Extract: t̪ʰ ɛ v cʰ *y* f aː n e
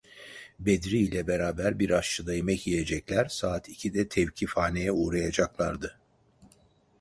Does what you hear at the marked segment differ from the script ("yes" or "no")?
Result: yes